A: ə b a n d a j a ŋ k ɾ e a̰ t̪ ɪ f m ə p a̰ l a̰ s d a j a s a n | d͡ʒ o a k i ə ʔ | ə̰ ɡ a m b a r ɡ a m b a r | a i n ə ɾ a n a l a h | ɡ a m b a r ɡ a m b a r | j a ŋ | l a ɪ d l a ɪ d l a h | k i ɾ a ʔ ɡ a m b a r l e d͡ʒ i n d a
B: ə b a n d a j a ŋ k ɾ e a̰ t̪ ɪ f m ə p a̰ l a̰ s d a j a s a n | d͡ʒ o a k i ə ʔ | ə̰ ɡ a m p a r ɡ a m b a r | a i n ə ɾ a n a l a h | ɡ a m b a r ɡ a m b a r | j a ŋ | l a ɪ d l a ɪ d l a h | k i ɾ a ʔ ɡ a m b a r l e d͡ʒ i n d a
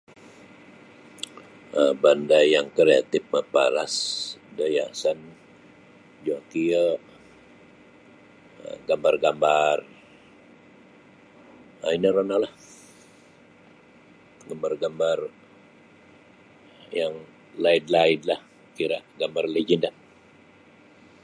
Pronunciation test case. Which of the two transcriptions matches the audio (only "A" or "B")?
A